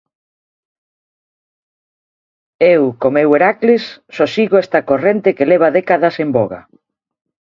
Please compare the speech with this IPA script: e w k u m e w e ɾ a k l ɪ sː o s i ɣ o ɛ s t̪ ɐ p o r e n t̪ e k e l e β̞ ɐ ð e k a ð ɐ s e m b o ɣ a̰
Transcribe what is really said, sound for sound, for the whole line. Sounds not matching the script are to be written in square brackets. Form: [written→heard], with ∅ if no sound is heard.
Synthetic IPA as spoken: e w k [u→o] m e w e ɾ a k l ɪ sː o s i ɣ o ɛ s t̪ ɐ [p→k] o r e n t̪ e k e l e β̞ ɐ ð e k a ð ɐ s e m b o ɣ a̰